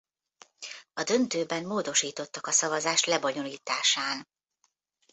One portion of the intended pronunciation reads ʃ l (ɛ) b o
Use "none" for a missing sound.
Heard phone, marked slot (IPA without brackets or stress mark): ɛ